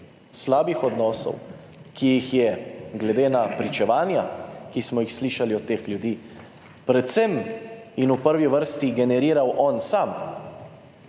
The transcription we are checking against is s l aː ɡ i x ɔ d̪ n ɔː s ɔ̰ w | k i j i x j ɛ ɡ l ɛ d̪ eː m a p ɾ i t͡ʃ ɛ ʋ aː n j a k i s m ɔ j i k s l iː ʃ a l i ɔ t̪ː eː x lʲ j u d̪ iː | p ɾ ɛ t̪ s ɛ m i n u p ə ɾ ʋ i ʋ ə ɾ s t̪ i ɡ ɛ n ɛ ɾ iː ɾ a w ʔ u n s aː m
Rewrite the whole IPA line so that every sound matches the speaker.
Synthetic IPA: s l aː b i x ɔ d̪ n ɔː s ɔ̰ w | k i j i x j ɛ ɡ l ɛ d̪ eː n a p ɾ i t͡ʃ ɛ ʋ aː n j a k i s m ɔ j i x s l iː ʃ a l i ɔ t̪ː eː x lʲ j u d̪ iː | p ɾ ɛ t̪ s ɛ m i n u p ə ɾ ʋ i ʋ ə ɾ s t̪ i ɡ ɛ n ɛ ɾ iː ɾ a w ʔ ɔ n s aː m